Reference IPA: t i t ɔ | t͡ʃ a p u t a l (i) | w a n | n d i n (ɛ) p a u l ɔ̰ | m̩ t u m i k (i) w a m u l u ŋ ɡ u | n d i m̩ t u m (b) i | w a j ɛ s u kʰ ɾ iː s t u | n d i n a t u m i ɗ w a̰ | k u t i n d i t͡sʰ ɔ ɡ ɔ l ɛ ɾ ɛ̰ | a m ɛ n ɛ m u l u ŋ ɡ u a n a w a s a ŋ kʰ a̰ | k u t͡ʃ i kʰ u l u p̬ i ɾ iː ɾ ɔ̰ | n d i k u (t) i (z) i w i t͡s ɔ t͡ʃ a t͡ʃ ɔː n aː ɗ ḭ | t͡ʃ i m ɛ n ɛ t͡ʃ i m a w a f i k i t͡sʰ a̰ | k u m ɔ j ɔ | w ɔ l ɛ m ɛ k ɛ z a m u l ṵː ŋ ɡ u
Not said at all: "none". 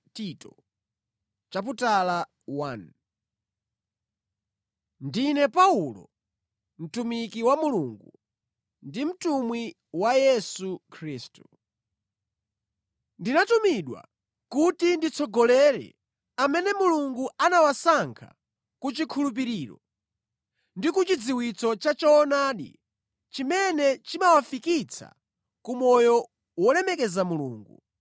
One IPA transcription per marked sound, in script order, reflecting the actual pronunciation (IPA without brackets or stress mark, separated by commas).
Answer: a, ɛ, i, w, t͡ʃ, d͡z